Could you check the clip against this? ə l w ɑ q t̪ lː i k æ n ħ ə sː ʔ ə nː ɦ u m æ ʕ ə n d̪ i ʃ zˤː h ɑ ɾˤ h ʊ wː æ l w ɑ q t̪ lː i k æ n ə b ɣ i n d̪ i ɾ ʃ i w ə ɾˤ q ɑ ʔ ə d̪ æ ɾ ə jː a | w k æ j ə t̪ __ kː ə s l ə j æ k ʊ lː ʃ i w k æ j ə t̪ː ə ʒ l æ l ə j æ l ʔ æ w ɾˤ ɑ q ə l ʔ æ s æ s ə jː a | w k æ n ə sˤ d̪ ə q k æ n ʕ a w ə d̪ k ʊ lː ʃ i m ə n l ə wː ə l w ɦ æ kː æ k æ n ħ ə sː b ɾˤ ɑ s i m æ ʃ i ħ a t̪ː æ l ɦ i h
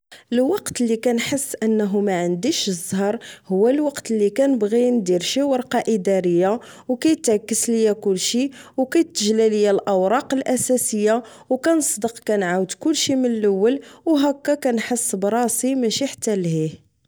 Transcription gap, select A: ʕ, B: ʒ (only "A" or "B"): A